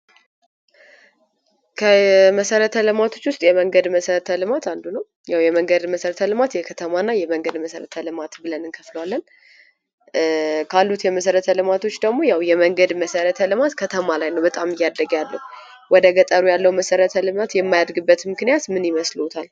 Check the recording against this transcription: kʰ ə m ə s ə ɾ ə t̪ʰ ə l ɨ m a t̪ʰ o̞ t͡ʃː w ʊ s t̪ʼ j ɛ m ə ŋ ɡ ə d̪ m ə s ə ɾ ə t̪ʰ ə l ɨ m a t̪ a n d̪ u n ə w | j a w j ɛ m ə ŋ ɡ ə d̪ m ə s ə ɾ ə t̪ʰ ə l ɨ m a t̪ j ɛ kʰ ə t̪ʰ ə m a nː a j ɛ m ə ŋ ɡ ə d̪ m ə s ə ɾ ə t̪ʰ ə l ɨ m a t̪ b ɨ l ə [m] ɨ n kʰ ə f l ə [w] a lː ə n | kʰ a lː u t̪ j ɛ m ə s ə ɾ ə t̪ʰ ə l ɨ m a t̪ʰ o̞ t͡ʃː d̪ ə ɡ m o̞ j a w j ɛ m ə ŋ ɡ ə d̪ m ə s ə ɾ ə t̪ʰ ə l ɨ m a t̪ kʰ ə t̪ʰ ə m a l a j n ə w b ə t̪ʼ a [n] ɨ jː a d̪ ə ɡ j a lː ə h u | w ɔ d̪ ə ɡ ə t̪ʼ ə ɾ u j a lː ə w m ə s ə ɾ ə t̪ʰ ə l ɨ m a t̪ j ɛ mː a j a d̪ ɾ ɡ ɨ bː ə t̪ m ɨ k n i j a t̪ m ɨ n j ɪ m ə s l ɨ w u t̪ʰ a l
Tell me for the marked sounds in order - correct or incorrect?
incorrect: n, correct, incorrect: m

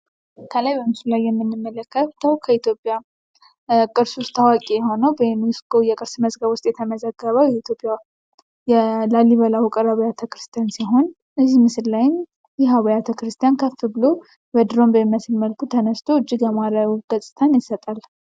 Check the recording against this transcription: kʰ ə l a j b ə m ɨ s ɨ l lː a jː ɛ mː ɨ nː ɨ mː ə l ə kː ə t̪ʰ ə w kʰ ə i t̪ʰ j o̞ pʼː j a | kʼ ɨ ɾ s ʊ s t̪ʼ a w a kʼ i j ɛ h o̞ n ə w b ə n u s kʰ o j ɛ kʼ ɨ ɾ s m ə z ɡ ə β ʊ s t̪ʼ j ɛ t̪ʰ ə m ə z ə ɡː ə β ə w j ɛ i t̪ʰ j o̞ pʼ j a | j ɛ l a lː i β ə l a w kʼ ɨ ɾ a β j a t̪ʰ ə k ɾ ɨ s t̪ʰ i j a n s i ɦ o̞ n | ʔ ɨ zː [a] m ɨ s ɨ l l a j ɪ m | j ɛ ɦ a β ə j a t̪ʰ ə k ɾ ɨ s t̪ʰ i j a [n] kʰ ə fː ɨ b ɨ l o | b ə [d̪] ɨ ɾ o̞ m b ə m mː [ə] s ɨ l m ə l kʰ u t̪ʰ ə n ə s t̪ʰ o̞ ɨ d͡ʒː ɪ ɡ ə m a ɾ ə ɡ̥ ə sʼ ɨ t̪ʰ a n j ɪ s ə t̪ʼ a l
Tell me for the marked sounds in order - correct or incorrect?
incorrect: i, correct, correct, correct

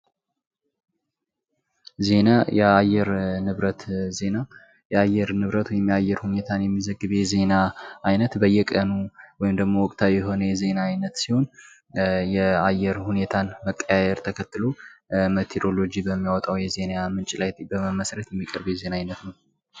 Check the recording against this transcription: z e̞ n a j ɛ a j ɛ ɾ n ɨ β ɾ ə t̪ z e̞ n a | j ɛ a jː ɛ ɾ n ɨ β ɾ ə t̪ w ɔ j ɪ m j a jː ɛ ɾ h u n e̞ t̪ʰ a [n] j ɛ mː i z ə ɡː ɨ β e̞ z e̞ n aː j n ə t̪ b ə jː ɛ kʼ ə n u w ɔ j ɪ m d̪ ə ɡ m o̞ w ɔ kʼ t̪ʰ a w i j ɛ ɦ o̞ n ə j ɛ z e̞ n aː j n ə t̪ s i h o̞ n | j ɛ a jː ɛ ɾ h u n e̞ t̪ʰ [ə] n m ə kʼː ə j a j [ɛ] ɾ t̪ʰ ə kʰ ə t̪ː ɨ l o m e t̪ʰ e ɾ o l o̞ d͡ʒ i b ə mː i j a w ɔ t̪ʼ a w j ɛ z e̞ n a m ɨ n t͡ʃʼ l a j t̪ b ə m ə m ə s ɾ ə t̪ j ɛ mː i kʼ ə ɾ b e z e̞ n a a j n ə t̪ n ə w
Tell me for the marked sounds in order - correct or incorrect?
correct, incorrect: a, correct

